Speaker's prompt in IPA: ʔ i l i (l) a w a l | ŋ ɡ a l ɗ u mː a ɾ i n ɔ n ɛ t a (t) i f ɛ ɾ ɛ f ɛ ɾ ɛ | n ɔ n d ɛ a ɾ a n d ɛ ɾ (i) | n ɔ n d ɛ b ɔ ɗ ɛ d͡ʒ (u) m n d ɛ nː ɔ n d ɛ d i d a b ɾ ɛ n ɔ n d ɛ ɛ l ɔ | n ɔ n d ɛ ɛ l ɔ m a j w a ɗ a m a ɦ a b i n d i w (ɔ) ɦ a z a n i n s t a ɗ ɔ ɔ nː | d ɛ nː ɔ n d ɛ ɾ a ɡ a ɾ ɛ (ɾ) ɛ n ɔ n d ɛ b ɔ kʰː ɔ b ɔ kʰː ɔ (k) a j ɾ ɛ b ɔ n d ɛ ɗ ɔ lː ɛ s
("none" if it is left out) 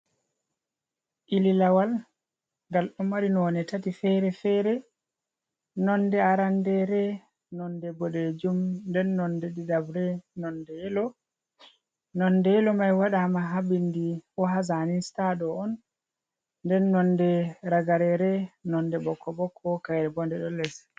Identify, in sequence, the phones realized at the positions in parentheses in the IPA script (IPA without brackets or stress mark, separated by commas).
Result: l, t, ɛ, u, ɔ, ɾ, k